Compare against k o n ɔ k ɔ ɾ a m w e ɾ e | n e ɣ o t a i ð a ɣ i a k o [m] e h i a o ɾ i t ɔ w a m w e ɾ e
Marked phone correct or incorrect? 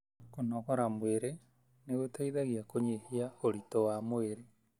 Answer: incorrect